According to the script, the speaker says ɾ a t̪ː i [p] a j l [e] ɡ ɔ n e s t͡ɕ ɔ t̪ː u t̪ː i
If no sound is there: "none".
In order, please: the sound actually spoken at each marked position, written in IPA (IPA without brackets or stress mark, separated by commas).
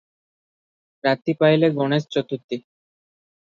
p, e